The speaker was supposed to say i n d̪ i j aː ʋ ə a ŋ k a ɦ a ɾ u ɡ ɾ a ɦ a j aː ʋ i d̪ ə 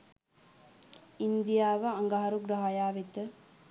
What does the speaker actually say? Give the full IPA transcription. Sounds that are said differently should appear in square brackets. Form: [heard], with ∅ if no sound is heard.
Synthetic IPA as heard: i n d̪ i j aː ʋ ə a ŋ [ɡ] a ɦ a ɾ u ɡ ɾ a ɦ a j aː ʋ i [t̪] ə